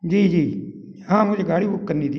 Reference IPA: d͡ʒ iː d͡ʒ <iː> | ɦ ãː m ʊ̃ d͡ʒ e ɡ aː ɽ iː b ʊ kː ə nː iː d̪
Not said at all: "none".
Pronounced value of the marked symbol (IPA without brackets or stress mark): iː